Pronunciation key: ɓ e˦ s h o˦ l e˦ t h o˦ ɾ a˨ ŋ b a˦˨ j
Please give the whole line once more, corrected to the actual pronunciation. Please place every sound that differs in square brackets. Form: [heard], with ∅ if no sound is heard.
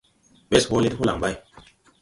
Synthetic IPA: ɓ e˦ s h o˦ l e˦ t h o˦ [l] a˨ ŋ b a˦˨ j